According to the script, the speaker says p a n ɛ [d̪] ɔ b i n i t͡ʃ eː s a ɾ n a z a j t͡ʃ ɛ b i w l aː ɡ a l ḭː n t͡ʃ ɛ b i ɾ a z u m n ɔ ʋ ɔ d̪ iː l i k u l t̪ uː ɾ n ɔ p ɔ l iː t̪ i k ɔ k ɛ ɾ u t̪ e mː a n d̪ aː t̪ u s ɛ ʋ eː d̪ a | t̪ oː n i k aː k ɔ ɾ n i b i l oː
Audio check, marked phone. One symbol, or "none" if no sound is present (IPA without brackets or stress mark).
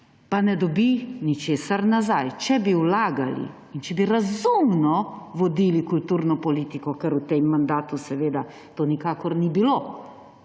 d̪